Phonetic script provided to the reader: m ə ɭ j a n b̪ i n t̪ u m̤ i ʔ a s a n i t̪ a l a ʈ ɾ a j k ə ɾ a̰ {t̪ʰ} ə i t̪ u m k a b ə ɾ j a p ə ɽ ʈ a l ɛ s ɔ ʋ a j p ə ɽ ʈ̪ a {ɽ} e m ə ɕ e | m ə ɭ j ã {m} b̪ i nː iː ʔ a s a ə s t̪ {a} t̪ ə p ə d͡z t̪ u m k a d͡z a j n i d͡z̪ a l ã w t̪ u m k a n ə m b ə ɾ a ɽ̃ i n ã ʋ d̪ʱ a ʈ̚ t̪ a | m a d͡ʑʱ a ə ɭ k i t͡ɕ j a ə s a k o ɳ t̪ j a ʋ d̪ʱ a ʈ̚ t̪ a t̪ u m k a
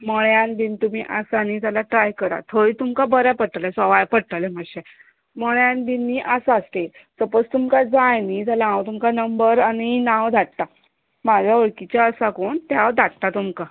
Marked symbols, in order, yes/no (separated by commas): yes, no, no, no